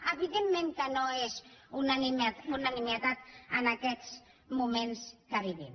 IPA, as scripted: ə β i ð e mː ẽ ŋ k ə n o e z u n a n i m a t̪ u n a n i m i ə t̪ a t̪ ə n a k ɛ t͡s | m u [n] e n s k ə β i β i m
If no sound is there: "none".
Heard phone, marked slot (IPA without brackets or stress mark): m